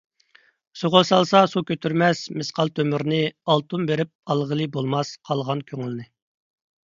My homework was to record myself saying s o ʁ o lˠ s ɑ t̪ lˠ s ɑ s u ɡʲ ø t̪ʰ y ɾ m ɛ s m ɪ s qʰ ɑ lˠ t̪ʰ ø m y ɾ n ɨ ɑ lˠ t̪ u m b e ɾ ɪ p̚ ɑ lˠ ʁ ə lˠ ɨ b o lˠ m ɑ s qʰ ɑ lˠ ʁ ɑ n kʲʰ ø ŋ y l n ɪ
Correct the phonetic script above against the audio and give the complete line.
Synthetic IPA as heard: s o ʁ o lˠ s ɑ lˠ s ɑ s u kʲ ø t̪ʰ y ɾ m ɛ s m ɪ s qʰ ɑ lˠ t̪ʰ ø m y ɾ n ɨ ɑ lˠ t̪ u m b e ɾ ɪ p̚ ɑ lˠ ʁ ə lˠ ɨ b o lˠ m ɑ s qʰ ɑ lˠ ʁ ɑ n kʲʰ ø ŋ y l n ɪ